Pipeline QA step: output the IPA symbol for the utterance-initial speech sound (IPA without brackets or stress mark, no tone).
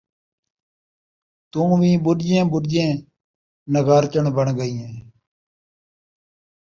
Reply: t̪